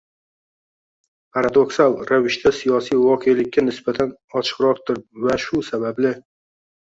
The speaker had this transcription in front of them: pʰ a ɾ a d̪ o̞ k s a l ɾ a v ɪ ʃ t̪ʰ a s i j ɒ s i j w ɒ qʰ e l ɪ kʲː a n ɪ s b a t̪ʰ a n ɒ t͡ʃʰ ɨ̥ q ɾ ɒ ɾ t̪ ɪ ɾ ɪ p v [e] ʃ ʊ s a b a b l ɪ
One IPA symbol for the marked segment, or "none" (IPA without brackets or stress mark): a